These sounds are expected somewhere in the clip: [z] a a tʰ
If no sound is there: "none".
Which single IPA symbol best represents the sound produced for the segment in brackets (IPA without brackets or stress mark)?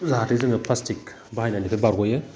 z